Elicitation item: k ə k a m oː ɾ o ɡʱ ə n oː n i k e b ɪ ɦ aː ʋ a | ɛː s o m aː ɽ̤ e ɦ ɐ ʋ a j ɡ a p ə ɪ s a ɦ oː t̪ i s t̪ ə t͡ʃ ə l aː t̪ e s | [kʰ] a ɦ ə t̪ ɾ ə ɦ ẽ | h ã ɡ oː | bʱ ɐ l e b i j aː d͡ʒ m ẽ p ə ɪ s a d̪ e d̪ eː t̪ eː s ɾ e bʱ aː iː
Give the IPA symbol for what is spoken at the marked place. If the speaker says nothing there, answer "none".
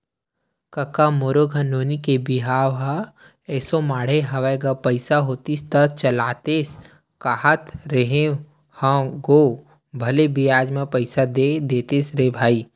k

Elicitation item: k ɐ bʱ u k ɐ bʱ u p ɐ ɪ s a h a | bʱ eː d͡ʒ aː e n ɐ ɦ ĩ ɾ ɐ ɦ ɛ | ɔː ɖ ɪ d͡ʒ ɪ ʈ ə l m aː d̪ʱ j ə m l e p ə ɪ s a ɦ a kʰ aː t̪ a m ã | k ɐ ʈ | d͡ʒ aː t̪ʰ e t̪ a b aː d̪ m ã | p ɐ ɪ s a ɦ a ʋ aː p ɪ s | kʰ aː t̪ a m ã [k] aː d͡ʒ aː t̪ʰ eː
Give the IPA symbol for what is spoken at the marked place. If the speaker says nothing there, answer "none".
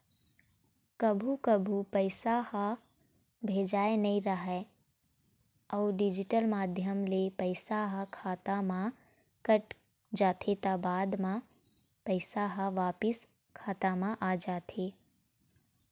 ʔ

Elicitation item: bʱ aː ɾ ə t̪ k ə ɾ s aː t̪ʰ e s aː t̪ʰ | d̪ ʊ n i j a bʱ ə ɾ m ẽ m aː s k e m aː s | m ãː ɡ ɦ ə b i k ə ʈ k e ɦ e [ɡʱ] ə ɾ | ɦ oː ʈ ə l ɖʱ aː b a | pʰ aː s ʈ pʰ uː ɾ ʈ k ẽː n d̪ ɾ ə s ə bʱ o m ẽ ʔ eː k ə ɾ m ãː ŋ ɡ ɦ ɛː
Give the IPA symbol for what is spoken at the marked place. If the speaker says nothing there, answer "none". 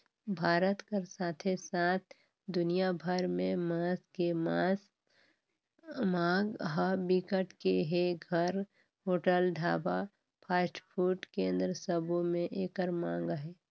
ɡʱ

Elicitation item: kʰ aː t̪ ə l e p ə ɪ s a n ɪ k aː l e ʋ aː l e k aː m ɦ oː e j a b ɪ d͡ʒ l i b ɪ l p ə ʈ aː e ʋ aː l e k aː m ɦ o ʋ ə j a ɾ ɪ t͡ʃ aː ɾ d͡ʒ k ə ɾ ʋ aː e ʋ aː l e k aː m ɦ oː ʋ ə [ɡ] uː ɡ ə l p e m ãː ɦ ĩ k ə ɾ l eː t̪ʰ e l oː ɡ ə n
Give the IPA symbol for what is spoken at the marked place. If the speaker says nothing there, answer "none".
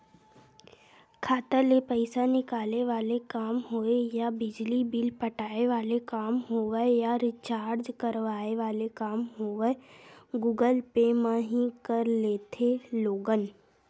ɡ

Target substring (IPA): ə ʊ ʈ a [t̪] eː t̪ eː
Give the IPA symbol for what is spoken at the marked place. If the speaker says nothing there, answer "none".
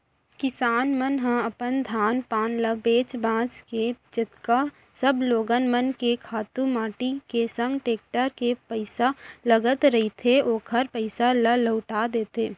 d̪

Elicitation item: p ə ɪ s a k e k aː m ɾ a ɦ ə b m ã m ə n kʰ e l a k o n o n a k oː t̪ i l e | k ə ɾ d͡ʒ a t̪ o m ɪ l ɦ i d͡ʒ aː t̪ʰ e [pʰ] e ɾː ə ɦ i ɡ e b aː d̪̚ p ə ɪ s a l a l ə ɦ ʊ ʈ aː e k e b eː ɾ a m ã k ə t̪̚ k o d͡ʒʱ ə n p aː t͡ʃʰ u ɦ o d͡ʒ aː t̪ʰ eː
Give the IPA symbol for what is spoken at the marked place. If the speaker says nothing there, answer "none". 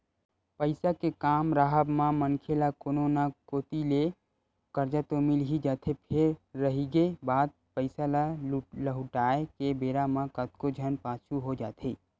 pʰ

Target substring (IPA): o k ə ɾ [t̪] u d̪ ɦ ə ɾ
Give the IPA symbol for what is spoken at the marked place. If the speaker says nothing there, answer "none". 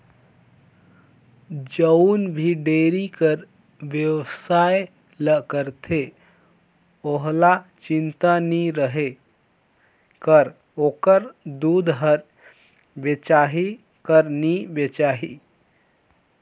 d̪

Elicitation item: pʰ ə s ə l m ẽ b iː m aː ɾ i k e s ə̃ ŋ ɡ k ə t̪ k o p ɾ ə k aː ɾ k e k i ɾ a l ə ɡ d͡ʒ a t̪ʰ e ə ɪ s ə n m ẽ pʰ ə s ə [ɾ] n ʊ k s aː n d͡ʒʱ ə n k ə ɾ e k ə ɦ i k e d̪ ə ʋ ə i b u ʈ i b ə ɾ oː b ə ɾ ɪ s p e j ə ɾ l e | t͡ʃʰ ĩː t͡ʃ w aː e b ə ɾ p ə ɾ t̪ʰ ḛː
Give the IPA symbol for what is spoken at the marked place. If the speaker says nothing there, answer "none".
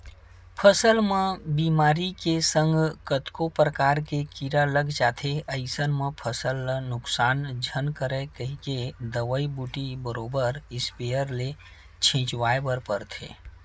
l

